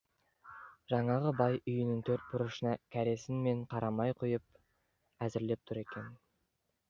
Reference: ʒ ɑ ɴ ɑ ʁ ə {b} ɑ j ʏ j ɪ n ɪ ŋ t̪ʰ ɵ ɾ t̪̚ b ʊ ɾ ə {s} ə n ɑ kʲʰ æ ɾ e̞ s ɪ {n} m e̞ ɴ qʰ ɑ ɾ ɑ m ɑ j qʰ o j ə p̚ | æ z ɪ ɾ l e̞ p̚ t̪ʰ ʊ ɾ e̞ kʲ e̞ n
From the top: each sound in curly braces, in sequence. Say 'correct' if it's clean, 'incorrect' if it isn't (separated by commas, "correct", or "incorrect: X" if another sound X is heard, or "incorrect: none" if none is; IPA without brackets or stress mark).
correct, incorrect: ʃ, correct